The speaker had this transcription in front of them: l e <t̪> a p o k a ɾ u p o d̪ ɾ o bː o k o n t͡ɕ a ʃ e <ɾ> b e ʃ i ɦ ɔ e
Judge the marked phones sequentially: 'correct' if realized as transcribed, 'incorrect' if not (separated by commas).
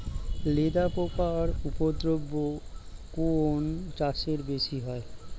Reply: incorrect, correct